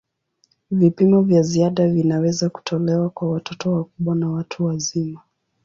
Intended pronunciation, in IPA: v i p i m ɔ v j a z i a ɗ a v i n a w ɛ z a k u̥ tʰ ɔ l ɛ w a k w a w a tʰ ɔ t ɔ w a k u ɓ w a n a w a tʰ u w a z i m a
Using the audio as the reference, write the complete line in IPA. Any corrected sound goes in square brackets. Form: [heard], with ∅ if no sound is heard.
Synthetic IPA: v i p i m ɔ v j a z i a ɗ a v i n a w ɛ z a k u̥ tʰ ɔ l ɛ w a k w a w a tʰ ɔ t ɔ w a k u ɓ w a n a w a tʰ u w a z i m a